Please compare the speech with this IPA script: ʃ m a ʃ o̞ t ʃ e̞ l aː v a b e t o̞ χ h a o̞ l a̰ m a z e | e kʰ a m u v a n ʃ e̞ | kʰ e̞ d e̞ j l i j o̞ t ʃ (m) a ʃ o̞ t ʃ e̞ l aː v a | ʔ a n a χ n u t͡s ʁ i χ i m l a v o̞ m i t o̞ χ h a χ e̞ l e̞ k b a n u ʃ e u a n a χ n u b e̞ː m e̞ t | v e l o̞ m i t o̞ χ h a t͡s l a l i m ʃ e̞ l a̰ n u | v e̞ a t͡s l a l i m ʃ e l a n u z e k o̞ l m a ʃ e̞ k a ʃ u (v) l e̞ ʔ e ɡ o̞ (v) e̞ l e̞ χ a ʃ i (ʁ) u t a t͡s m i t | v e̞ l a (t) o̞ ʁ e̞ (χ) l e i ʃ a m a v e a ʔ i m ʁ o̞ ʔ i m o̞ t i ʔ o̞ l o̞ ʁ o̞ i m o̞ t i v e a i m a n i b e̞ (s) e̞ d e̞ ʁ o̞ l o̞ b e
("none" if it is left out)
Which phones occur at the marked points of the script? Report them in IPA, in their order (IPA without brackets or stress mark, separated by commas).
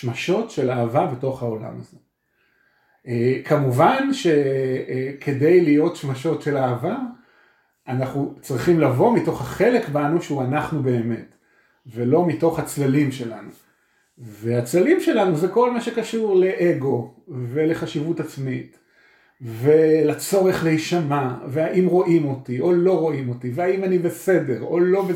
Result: m, ʁ, v, v, t͡s, χ, s